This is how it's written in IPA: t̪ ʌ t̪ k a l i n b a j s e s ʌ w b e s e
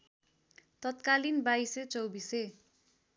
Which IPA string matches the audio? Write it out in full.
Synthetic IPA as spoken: t̪ ʌ t̪ k a l i n b a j s e t͡s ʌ w b i s e